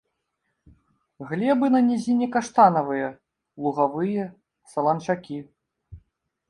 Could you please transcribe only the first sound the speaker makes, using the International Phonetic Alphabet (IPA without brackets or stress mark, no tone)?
ɣ